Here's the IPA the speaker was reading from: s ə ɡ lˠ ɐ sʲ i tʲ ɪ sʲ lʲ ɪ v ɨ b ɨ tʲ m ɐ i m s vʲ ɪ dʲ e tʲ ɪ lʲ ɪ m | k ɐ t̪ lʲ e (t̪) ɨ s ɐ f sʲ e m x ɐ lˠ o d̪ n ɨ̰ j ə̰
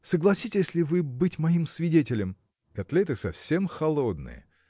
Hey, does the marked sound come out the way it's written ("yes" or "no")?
yes